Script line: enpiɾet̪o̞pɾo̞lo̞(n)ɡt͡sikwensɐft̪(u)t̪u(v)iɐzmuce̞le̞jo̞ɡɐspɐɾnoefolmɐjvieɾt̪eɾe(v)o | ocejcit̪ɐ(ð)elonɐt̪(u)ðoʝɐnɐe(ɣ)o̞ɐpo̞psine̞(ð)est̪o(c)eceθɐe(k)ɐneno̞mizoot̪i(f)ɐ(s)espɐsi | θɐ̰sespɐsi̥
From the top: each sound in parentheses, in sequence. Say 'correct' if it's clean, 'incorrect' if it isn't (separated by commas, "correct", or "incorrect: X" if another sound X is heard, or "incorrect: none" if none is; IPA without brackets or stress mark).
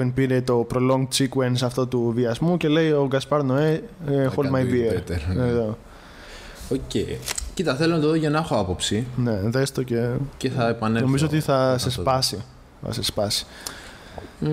incorrect: ŋ, incorrect: o, correct, incorrect: ð, incorrect: θ, incorrect: o, incorrect: x, correct, correct, incorrect: p, incorrect: θ, correct